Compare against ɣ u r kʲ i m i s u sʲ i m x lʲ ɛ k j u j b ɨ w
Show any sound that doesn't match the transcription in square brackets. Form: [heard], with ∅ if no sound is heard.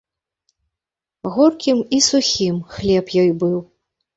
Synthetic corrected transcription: ɣ [ɔ] r kʲ i m i s u [xʲ] i m x lʲ ɛ [p] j [ɔ] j b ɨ w